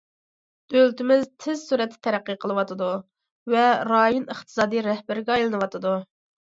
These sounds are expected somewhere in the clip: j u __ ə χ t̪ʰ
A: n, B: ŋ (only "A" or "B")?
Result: A